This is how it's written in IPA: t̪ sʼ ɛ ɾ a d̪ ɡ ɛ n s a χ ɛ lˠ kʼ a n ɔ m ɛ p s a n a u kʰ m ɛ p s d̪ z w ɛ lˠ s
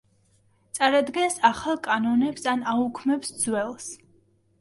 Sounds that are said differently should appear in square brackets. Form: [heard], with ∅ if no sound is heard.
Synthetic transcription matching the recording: t̪ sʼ [a] ɾ a d̪ ɡ ɛ n s a χ [a] lˠ kʼ a n ɔ [n] ɛ p s a n a u kʰ m ɛ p s d̪ z w ɛ lˠ s